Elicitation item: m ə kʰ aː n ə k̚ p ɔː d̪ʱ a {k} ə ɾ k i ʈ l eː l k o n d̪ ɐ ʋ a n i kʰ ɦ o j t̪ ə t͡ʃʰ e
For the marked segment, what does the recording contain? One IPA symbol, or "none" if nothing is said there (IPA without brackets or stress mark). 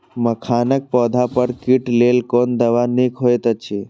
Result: p